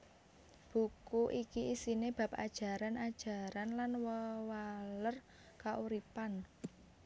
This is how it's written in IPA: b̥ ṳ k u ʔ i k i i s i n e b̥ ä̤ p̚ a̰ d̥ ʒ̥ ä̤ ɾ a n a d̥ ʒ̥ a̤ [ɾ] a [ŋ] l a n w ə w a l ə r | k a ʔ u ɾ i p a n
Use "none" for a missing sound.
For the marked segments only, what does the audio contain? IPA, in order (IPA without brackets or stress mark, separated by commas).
ɾ, n